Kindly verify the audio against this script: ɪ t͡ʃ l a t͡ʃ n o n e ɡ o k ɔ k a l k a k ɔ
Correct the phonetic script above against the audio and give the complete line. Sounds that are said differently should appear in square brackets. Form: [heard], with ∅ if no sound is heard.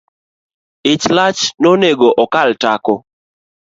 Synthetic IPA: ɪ t͡ʃ l a t͡ʃ n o n e ɡ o [ʔ] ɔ k a l [t] a k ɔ